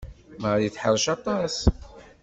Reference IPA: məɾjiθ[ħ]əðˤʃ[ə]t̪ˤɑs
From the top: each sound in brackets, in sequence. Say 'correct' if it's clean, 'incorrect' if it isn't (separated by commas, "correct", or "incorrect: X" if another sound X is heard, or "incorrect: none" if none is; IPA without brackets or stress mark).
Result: correct, incorrect: ɑ